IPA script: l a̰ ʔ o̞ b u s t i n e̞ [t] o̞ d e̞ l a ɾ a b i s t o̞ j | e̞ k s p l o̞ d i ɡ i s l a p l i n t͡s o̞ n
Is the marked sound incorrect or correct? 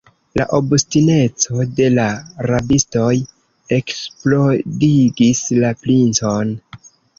incorrect